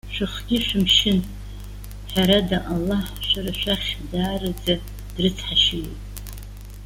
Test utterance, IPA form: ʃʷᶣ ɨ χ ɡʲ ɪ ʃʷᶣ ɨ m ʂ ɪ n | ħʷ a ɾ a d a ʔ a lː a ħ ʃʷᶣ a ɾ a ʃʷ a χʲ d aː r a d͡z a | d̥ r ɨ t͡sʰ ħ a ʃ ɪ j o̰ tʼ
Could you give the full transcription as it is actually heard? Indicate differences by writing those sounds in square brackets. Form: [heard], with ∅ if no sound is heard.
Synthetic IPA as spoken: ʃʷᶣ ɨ χ ɡʲ ɪ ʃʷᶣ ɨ m [ʃ] ɪ n | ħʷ a ɾ a d a ʔ a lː a ħ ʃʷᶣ a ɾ a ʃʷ a χʲ d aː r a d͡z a | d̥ r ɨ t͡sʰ ħ a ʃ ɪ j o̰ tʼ